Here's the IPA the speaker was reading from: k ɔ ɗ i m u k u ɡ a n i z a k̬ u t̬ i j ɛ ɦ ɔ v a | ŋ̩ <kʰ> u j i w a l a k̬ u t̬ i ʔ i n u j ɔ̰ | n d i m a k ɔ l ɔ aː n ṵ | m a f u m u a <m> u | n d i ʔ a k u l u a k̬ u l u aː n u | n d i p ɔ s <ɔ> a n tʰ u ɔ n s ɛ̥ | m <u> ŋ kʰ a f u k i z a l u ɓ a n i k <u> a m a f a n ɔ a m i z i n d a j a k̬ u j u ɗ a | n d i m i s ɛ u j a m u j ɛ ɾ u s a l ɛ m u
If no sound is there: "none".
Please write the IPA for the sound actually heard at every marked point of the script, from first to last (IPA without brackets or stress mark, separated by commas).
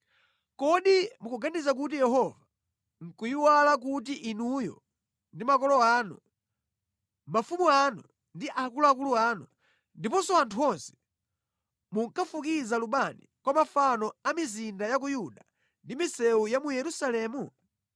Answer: k, n, ɔ, u, w